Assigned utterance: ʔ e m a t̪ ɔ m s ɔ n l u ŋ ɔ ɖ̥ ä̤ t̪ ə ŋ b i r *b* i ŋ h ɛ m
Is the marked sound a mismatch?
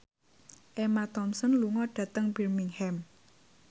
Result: yes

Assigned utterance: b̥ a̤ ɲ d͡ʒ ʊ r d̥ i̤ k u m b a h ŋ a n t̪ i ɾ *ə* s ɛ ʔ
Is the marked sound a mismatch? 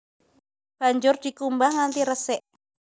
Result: no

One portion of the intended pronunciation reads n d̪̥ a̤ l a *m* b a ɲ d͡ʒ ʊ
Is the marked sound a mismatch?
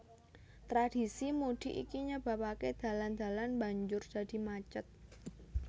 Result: yes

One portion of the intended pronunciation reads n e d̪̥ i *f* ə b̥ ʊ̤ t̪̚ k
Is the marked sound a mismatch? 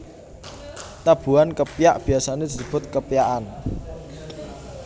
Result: yes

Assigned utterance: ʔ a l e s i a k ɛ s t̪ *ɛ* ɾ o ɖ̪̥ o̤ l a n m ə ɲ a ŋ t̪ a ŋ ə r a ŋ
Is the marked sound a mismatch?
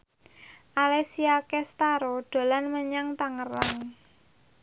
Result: yes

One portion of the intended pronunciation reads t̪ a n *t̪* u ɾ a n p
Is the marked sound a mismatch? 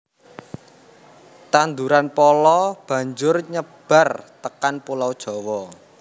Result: yes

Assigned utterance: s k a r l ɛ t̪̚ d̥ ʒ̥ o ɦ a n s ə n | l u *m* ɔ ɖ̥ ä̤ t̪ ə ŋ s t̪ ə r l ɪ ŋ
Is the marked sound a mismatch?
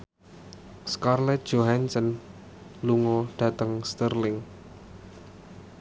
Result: yes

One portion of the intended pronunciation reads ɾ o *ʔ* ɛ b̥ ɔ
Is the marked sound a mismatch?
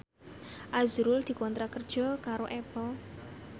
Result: no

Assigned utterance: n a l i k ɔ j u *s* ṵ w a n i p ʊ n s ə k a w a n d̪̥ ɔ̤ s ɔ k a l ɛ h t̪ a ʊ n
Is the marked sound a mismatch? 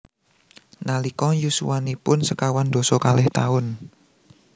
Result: no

